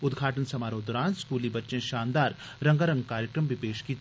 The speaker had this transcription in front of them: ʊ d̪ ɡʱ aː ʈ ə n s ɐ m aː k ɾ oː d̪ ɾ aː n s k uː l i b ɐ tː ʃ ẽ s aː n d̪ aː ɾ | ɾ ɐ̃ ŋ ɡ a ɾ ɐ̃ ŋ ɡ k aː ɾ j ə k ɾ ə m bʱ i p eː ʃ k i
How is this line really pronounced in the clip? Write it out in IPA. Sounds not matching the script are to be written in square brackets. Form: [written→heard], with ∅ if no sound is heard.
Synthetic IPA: ʊ d̪ ɡʱ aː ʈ ə n s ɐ m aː [k→∅] ɾ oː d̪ ɾ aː n s k uː l i b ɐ tː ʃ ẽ [s→ʃ] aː n d̪ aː ɾ | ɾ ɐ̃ ŋ ɡ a ɾ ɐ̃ ŋ ɡ k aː ɾ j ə k ɾ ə m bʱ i p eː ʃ k i